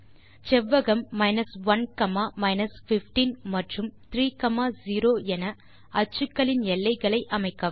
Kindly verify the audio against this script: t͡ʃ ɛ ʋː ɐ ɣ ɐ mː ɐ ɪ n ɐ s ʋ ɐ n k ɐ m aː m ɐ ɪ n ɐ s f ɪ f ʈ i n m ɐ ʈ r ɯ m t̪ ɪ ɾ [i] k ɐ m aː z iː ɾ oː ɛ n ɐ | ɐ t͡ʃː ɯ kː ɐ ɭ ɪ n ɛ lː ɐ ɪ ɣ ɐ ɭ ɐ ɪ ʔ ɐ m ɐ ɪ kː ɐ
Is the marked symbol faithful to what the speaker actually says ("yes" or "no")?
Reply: no